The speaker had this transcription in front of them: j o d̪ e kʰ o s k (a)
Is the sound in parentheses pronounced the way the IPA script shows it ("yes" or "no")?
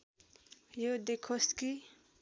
no